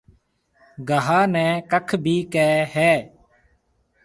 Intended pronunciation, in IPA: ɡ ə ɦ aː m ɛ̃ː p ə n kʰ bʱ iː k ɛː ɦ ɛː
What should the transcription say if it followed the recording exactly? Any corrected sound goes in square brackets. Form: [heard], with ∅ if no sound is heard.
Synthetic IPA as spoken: ɡ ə ɦ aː [n] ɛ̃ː [k] ə [∅] kʰ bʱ iː k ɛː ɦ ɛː

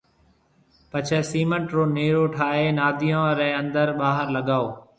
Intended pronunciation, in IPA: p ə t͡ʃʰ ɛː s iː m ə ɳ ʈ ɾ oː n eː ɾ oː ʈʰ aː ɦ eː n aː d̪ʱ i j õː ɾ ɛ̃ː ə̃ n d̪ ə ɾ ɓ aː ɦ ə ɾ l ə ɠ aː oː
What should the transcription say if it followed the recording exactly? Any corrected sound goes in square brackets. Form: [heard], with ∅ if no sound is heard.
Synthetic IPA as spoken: p ə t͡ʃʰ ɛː s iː m ə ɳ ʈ ɾ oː n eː ɾ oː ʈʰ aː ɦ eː n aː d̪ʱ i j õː ɾ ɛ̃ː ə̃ n d̪ ə ɾ ɓ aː ɦ ə ɾ l ə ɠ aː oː

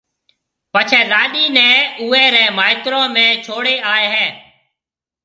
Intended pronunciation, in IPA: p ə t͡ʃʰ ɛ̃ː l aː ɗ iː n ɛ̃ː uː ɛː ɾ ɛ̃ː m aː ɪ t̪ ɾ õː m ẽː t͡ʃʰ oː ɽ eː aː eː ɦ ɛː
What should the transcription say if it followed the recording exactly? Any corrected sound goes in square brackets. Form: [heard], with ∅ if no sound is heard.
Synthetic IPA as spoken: p ə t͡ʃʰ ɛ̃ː l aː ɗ iː n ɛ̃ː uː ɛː ɾ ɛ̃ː m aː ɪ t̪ ɾ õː m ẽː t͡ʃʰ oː ɽ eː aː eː ɦ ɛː

